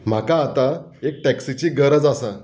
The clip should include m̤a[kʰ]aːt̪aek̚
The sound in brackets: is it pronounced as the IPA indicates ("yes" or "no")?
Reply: no